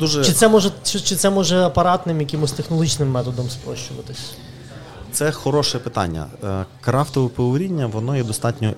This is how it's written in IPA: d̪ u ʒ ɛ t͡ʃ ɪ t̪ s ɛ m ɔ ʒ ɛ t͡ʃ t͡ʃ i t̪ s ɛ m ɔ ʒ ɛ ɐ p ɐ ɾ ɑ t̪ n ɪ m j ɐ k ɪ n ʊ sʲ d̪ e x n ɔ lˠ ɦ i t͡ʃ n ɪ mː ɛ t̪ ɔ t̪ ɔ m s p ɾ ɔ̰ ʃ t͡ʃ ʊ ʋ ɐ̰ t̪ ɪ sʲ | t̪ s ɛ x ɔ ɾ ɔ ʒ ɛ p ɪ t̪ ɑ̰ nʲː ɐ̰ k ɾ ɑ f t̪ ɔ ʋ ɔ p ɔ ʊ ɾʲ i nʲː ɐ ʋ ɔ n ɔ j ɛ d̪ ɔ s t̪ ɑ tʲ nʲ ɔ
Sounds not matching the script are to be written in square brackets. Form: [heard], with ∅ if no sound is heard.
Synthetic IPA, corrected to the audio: d̪ u ʒ ɛ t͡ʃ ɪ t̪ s ɛ m ɔ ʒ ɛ t͡ʃ t͡ʃ [ɪ] t̪ s ɛ m ɔ ʒ ɛ ɐ p ɐ ɾ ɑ t̪ n ɪ m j ɐ k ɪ [m] ʊ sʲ [t̪] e x n ɔ lˠ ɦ i t͡ʃ n ɪ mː ɛ t̪ ɔ [d̪] ɔ m s p ɾ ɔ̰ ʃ t͡ʃ ʊ ʋ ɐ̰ t̪ ɪ sʲ | t̪ s ɛ x ɔ ɾ ɔ [ʃ] ɛ p ɪ t̪ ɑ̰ nʲː ɐ̰ k ɾ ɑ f t̪ ɔ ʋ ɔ p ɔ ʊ ɾʲ i nʲː ɐ ʋ ɔ n ɔ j ɛ d̪ ɔ s t̪ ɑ tʲ nʲ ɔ